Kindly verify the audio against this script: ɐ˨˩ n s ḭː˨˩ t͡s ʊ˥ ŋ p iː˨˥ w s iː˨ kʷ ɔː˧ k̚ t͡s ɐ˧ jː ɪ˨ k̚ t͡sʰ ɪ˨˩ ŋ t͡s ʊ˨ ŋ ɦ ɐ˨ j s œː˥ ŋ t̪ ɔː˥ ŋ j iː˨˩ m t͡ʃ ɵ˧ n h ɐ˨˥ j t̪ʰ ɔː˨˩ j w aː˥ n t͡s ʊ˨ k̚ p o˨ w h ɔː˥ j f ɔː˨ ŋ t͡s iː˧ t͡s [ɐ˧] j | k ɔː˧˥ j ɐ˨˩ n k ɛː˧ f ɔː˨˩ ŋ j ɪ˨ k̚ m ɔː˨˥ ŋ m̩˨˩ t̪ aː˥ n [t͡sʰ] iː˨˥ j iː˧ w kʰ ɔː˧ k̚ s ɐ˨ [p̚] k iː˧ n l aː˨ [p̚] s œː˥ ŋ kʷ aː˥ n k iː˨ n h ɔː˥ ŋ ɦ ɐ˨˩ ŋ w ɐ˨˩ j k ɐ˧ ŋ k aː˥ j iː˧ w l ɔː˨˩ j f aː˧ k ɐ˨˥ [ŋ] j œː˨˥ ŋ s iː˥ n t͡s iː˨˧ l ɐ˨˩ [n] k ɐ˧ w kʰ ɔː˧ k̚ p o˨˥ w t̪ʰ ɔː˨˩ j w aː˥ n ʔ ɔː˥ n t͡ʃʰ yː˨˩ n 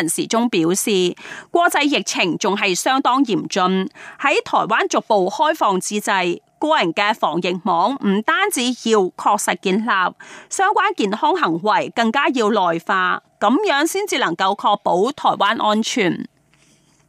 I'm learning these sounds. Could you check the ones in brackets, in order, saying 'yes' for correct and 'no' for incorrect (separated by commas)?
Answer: yes, no, no, yes, no, no